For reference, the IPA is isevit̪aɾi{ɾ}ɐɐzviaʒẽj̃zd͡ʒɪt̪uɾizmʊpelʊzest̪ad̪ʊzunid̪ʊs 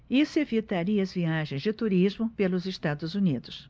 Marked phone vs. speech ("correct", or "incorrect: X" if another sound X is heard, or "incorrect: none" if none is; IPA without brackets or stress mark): incorrect: none